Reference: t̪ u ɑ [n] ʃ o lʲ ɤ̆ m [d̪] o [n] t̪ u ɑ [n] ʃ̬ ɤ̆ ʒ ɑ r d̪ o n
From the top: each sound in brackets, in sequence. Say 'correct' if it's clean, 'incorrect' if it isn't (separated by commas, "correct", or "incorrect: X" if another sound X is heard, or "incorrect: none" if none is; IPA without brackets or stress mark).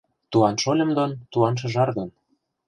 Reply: correct, correct, correct, correct